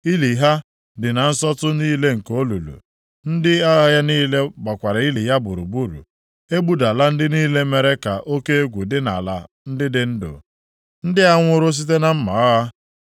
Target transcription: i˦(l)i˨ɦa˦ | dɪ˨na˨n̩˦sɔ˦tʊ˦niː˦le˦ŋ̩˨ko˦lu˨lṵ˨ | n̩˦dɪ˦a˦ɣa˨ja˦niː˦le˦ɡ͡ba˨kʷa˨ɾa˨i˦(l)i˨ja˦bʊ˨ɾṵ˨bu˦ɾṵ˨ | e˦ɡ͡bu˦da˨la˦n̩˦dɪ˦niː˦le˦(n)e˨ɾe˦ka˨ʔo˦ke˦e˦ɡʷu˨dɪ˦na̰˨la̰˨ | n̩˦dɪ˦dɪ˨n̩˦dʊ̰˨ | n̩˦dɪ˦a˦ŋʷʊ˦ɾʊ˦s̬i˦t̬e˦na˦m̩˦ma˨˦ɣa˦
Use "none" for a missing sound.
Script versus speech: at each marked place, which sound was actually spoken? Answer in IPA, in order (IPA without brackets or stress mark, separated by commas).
l, l, m